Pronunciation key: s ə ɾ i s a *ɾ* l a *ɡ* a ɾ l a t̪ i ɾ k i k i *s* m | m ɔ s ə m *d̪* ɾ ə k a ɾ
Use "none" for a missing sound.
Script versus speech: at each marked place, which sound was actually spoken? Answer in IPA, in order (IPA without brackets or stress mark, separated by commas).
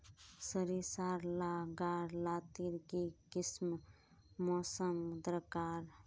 ɾ, ɡ, s, d̪